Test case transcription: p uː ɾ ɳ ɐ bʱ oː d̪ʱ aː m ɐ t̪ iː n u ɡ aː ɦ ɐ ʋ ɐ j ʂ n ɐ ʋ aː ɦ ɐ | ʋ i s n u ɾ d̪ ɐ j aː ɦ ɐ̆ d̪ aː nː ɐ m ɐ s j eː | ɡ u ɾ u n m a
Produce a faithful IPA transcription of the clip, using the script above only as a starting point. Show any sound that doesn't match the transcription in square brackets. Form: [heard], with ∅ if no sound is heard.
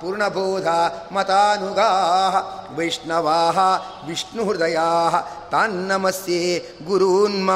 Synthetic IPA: p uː ɾ ɳ ɐ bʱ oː d̪ʱ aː m ɐ t̪ [aː] n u ɡ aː ɦ ɐ ʋ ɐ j ʂ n ɐ ʋ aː ɦ ɐ | ʋ i [ʂ] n u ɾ d̪ ɐ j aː ɦ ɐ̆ [t̪] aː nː ɐ m ɐ s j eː | ɡ u ɾ u n m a